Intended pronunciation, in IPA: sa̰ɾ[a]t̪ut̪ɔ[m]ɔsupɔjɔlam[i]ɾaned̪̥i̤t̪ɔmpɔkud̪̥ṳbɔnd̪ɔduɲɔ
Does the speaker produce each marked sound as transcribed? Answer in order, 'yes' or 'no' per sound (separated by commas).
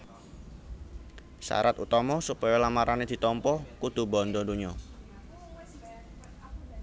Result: yes, yes, no